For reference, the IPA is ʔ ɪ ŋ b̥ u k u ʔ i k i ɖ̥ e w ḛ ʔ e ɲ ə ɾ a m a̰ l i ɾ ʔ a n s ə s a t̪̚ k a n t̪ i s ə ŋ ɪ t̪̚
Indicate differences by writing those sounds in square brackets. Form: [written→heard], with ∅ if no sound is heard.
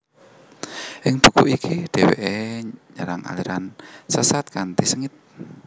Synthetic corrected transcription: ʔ ɪ ŋ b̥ u k u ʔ i k i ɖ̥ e w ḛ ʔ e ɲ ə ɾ a [m→ŋ] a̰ l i ɾ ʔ a n s ə s a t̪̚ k a n t̪ i s ə ŋ ɪ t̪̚